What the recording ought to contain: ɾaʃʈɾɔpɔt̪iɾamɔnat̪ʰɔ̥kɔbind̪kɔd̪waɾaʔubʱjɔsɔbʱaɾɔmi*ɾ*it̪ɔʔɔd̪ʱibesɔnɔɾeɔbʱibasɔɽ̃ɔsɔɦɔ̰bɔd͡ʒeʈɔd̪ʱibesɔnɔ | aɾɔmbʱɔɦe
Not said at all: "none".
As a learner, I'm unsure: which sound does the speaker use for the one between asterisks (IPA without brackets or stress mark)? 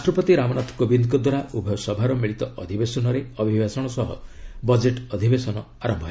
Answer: ɭ